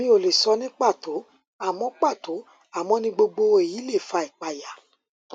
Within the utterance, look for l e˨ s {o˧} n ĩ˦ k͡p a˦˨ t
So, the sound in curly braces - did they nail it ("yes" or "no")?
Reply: no